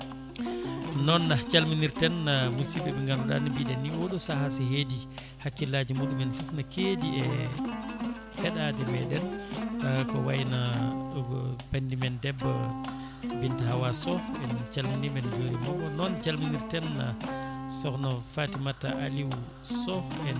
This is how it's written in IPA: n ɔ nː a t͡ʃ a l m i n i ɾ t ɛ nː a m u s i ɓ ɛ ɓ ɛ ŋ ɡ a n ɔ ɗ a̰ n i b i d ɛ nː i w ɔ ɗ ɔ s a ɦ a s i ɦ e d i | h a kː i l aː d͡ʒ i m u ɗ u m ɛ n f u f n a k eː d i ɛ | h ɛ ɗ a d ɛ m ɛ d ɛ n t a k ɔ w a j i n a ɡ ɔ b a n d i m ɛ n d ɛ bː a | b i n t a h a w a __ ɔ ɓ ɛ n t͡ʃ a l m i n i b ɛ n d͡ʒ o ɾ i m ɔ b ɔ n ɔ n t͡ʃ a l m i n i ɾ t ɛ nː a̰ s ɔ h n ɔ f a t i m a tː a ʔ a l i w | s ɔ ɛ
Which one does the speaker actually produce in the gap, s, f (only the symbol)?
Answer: s